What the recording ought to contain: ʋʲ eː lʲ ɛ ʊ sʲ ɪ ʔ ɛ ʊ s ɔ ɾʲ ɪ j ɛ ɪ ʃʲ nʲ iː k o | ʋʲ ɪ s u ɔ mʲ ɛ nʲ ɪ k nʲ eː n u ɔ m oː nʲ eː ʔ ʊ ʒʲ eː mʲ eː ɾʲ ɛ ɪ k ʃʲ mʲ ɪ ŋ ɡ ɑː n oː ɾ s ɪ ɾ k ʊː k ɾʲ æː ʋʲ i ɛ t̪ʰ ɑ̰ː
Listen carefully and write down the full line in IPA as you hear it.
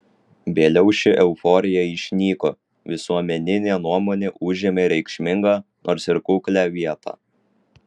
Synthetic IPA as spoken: ʋʲ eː lʲ ɛ ʊ ʃʲ ɪ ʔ ɛ ʊ f ɔ ɾʲ ɪ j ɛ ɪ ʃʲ nʲ iː k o | ʋʲ ɪ s u ɔ mʲ ɛ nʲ ɪ nʲ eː n u ɔ m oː nʲ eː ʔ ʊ ʒʲ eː mʲ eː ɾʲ ɛ ɪ k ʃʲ mʲ ɪ ŋ ɡ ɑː n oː ɾ s ɪ ɾ k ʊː k lʲ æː ʋʲ i ɛ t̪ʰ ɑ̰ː

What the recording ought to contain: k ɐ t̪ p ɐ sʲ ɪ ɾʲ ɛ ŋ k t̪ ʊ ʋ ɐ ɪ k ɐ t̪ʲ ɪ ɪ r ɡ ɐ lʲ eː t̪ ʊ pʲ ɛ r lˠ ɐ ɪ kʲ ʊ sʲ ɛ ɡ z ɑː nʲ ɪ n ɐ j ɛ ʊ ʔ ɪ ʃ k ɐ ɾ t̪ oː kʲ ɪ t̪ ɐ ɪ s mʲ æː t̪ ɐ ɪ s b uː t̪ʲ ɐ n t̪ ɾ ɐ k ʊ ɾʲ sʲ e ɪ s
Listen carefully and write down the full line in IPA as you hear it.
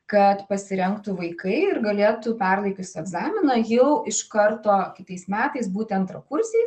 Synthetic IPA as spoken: k ɐ t̪ p ɐ sʲ ɪ ɾʲ ɛ ŋ k t̪ ʊ ʋ ɐ ɪ k ɐ ɪ ɪ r ɡ ɐ lʲ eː t̪ ʊ pʲ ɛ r lˠ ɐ ɪ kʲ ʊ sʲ ɛ ɡ z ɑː mʲ ɪ n ɐ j ɛ ʊ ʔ ɪ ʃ k ɐ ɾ t̪ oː kʲ ɪ t̪ ɐ ɪ s mʲ æː t̪ ɐ ɪ s b uː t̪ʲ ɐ n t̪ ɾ ɐ k ʊ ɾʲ sʲ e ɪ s

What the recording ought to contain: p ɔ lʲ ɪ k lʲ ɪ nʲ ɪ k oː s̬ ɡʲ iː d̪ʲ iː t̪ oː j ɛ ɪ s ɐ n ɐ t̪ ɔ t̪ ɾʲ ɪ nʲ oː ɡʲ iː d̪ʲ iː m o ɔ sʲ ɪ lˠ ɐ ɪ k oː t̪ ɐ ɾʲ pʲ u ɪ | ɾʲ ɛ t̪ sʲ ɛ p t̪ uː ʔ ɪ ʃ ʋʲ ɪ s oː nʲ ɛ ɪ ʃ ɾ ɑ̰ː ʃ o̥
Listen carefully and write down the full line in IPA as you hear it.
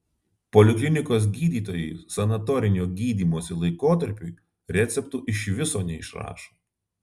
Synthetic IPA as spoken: p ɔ lʲ ɪ k lʲ ɪ nʲ ɪ k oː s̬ ɡʲ iː d̪ʲ iː t̪ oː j ɛ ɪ s ɐ n ɐ t̪ ɔ ɾʲ ɪ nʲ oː ɡʲ iː d̪ʲ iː m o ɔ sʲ ɪ lˠ ɐ ɪ k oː t̪ ɐ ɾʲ pʲ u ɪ | ɾʲ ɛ t̪ sʲ ɛ p t̪ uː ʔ ɪ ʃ ʋʲ ɪ s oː nʲ ɛ ɪ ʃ ɾ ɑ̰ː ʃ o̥

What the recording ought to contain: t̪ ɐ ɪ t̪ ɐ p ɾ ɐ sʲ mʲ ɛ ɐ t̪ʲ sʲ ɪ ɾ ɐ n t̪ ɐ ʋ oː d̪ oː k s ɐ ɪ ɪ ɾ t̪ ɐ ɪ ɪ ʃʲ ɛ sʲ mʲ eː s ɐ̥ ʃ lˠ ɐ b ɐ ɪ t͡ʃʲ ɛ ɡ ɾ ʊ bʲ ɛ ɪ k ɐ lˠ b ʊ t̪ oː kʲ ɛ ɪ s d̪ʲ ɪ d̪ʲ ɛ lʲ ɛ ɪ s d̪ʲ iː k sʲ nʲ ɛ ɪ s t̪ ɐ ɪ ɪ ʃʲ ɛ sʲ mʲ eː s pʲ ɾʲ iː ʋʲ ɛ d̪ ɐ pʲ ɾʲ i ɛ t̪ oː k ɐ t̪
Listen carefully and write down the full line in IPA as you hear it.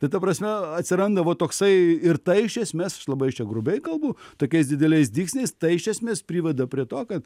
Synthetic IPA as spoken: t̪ ɐ ɪ t̪ ɐ p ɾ ɐ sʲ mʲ ɛ ɐ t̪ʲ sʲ ɪ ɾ ɐ n d̪ ɐ ʋ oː t̪ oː k s ɐ ɪ ɪ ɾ t̪ ɐ ɪ ɪ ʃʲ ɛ sʲ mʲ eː s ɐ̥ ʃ lˠ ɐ b ɐ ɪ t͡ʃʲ ɛ ɡ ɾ ʊ bʲ ɛ ɪ k ɐ lˠ b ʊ t̪ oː kʲ ɛ ɪ s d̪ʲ ɪ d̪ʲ ɛ lʲ ɛ ɪ s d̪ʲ iː k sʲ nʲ ɛ ɪ s t̪ ɐ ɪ ɪ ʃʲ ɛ sʲ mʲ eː s pʲ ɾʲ iː ʋʲ ɛ d̪ ɐ pʲ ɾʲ i ɛ t̪ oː k ɐ t̪

